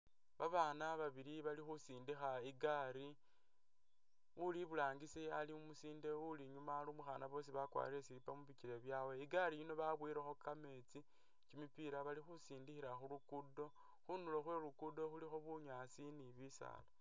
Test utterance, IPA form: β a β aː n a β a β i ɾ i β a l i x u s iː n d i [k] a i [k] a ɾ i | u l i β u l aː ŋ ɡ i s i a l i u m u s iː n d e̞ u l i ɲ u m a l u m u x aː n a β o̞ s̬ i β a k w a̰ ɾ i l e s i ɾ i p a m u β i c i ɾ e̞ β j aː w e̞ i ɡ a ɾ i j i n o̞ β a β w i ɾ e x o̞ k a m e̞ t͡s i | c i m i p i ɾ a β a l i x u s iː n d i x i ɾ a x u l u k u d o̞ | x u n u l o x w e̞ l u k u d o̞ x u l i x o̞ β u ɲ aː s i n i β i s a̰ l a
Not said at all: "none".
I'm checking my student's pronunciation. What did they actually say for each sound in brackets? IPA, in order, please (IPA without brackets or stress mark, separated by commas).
x, ɡ